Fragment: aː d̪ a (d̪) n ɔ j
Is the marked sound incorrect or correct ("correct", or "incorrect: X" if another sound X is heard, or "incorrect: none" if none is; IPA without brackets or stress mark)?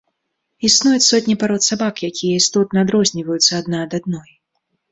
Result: correct